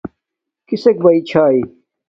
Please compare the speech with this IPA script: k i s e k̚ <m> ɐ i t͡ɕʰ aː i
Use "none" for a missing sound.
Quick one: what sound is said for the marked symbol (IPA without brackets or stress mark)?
b